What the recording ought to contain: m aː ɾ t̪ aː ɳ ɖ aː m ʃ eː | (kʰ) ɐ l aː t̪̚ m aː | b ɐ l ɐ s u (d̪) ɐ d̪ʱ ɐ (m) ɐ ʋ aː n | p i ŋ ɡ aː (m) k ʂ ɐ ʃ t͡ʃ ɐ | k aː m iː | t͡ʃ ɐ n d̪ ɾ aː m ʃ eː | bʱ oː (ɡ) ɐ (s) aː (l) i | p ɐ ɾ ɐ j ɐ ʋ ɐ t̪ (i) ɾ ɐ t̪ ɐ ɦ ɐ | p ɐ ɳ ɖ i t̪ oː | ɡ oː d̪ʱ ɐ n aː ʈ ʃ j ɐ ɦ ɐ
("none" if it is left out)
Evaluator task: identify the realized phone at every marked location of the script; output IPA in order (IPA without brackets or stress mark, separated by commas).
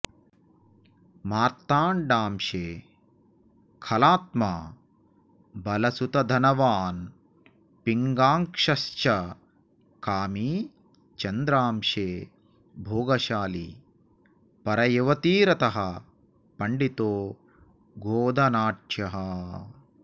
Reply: kʰ, t̪, n, ŋ, ɡ, ʃ, l, iː